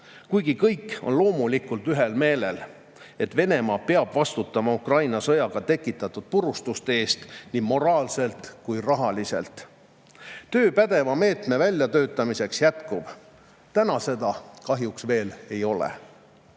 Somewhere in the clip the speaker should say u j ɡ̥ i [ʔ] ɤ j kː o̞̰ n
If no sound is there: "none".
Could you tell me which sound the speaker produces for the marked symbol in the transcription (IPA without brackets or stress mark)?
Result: k